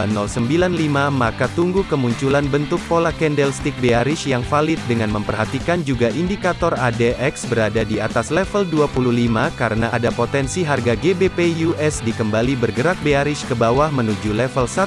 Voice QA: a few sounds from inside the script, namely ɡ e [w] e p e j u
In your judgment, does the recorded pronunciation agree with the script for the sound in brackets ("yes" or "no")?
no